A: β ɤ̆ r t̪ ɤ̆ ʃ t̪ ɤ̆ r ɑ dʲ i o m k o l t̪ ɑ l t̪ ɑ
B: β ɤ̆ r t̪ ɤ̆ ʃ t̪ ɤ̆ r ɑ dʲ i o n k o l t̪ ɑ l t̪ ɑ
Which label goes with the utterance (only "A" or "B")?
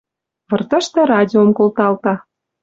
A